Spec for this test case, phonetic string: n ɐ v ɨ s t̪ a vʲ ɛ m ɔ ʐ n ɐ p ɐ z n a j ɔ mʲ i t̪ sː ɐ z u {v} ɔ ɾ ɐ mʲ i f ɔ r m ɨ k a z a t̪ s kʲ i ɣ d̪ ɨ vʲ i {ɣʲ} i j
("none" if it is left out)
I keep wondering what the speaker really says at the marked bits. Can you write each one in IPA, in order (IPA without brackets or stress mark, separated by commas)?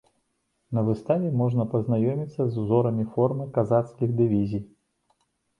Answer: z, zʲ